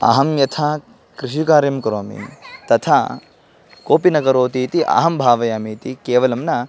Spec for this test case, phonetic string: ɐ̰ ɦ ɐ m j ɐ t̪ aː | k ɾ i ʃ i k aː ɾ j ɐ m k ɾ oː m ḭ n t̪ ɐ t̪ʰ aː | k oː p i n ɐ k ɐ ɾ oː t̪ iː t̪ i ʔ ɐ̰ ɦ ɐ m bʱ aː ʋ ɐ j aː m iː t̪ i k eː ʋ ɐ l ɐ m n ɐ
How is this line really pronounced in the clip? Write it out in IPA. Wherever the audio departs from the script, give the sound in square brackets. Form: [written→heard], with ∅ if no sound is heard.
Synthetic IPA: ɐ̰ ɦ ɐ m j ɐ [t̪→t̪ʰ] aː | k ɾ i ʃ i k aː ɾ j ɐ m k ɾ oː m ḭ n t̪ ɐ t̪ʰ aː | k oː p i n ɐ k ɐ ɾ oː t̪ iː t̪ i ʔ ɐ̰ ɦ ɐ m bʱ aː ʋ ɐ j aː m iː t̪ i k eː ʋ ɐ l ɐ m n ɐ